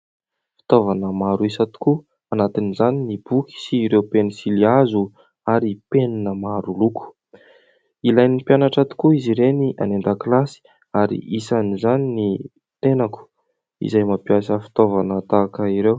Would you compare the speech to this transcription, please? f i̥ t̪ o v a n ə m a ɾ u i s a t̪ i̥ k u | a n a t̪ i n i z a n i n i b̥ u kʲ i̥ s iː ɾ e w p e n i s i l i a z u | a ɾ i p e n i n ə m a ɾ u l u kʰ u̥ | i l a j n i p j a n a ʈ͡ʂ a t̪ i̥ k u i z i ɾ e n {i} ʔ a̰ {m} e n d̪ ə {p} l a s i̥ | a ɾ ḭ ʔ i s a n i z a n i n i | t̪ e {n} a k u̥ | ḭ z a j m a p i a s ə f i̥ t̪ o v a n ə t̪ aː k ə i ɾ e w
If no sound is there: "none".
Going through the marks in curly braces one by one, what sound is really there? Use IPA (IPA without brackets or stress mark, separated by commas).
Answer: i, n, k, n